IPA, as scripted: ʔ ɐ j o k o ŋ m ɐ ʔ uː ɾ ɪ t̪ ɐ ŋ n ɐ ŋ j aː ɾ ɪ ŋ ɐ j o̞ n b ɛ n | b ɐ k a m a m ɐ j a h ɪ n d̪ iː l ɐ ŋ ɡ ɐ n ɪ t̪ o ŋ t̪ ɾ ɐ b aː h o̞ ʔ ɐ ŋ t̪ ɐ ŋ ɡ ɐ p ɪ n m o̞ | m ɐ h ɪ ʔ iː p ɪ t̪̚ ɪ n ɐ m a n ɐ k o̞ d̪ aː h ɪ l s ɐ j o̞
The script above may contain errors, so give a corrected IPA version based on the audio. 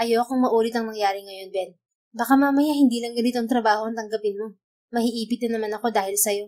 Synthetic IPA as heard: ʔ ɐ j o k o ŋ m ɐ ʔ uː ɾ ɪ t̪ ɐ ŋ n ɐ ŋ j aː ɾ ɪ ŋ ɐ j o̞ n b ɛ n | b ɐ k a m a m ɐ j a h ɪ n d̪ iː l ɐ ŋ ɡ ɐ n ɪ t̪ o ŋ t̪ ɾ ɐ b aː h o̞ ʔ ɐ ŋ t̪ ɐ ŋ ɡ ɐ p ɪ n m o̞ | m ɐ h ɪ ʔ iː p ɪ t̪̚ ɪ n ɐ m a n ɐ k o̞ d̪ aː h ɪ l s ɐ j o̞

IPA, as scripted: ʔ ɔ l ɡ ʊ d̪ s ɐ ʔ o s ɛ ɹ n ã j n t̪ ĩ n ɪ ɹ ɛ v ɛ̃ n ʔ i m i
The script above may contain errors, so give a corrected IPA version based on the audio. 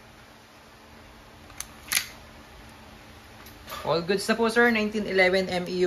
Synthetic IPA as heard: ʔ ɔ l ɡ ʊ d̪ s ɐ p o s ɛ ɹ n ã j n t̪ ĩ n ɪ l ɛ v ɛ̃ n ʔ ɛ m i

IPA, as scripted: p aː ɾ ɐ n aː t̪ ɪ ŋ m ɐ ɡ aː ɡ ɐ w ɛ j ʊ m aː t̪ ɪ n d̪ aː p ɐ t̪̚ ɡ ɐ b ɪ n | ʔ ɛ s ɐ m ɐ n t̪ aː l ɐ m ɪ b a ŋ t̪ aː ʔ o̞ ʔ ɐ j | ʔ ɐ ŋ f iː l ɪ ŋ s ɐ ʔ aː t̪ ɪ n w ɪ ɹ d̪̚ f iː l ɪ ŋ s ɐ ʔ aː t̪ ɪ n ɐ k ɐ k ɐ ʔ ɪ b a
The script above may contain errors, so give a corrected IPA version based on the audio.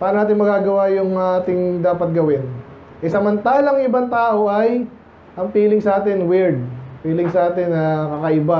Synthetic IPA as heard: p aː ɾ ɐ n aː t̪ ɪ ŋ m ɐ ɡ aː ɡ ɐ w a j ʊ ŋ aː t̪ ɪ ŋ d̪ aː p ɐ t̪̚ ɡ ɐ w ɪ n | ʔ ɛ s ɐ m ɐ n t̪ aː l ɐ ŋ ɪ b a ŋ t̪ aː ʔ o̞ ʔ ɐ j | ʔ ɐ ŋ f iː l ɪ ŋ s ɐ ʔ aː t̪ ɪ n w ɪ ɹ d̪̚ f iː l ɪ ŋ s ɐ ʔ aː t̪ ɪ n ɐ k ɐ k ɐ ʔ ɪ b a

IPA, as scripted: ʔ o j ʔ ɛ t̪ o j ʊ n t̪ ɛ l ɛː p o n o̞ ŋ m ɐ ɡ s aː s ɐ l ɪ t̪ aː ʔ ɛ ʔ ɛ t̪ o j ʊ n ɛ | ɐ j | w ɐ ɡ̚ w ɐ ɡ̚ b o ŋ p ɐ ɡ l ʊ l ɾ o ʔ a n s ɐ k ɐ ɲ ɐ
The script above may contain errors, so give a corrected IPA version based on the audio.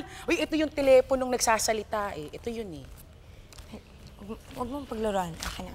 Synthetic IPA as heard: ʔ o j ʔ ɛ t̪ o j ʊ ŋ t̪ ɛ l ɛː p o n o̞ ŋ n ɐ ɡ s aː s ɐ l ɪ t̪ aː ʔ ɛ ʔ ɛ t̪ o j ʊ n ɛ | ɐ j | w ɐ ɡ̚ w ɐ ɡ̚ m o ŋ p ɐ ɡ l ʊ ɾ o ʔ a n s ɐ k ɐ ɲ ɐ

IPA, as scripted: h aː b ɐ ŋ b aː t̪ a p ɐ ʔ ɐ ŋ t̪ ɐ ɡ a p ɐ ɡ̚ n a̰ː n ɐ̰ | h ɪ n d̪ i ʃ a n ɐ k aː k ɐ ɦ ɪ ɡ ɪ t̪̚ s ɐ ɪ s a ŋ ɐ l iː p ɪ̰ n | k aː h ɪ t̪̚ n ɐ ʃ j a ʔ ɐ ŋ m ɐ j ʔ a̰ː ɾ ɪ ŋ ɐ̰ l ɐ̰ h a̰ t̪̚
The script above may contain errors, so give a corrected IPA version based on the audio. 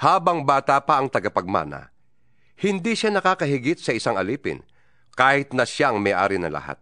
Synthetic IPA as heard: h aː b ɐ ŋ b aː t̪ a p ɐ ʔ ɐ ŋ t̪ ɐ ɡ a p ɐ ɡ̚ m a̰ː n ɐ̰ | h ɪ n d̪ i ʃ a n ɐ k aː k ɐ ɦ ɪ ɡ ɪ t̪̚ s ɐ ɪ s a ŋ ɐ l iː p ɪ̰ n | k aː h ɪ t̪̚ n ɐ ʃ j a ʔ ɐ ŋ m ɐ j ʔ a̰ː ɾ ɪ n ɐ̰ l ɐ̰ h a̰ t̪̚

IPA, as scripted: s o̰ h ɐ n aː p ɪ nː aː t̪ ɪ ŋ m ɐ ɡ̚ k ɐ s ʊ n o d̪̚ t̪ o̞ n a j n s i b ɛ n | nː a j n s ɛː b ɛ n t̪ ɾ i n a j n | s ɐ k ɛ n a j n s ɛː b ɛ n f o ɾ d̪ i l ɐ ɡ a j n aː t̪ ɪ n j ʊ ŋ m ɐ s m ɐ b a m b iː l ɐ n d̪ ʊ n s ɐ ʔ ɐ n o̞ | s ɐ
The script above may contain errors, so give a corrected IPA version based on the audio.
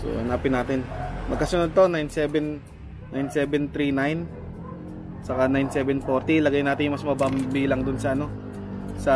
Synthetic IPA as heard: s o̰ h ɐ n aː p ɪ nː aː t̪ ɪ n m ɐ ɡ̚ k ɐ s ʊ n o d̪̚ t̪ o̞ n a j n s ɛ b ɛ n | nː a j n s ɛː b ɛ n t̪ ɾ i n a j n | s ɐ k a n a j n s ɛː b ɛ n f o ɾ t̪ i l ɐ ɡ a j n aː t̪ ɪ n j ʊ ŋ m ɐ s m ɐ b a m b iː l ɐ ŋ d̪ ʊ n s ɐ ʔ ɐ n o̞ | s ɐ

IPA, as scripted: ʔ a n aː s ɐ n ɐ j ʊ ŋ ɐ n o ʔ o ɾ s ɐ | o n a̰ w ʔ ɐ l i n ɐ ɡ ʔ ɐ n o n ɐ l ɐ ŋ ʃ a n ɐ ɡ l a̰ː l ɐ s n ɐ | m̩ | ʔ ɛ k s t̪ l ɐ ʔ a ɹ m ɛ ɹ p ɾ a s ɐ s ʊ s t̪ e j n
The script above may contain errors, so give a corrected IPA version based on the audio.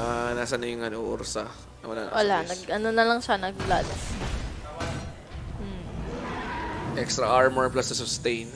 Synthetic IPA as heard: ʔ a n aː s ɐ n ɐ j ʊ ŋ ɐ n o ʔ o ɾ s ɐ | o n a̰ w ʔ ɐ l a n ɐ ɡ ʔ ɐ n o n ɐ l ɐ ŋ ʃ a n ɐ ɡ l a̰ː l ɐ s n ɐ | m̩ | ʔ ɛ k s t̪ ɾ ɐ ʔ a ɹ m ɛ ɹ p l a s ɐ s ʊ s t̪ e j n

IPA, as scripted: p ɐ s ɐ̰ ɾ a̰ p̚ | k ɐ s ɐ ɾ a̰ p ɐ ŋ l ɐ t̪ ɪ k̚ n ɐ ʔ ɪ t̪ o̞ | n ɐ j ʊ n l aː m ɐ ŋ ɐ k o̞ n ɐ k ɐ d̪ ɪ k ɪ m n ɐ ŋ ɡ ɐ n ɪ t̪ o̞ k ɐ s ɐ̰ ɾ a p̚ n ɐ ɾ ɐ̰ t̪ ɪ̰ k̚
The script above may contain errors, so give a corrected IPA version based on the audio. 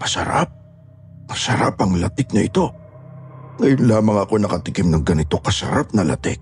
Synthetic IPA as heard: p ɐ s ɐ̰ ɾ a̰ p̚ | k ɐ s ɐ ɾ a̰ p ɐ ŋ l ɐ t̪ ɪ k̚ n ɐ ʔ ɪ t̪ o̞ | ŋ ɐ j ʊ n l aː m ɐ ŋ ɐ k o̞ n ɐ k ɐ t̪ ɪ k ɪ m n ɐ ŋ ɡ ɐ n ɪ t̪ o̞ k ɐ s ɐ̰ ɾ a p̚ n ɐ l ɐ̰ t̪ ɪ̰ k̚

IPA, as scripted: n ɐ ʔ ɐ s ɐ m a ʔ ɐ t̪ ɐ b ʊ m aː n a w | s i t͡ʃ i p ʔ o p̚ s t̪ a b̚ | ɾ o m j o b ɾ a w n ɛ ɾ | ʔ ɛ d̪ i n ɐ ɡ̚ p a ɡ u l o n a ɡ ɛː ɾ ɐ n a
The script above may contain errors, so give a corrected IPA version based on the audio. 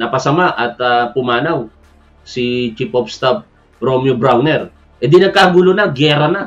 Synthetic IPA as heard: n ɐ p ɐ s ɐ m a ʔ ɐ t̪ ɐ p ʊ m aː n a w | s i t͡ʃ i p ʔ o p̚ s t̪ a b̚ | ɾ o m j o b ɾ a w n ɛ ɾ | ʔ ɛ d̪ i n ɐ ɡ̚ k a ɡ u l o n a ɡ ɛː ɾ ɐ n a

